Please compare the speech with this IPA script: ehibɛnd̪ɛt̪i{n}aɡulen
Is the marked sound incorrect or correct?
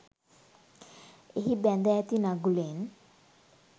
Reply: correct